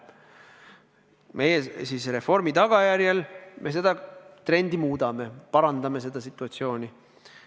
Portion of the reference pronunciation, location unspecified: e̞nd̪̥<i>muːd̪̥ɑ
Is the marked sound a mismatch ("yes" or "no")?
no